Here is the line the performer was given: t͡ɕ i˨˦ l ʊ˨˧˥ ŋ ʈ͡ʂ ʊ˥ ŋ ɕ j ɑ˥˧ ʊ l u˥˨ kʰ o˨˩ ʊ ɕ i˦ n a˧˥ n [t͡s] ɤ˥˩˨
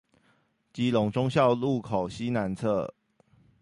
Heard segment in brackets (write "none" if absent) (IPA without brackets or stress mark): t͡sʰ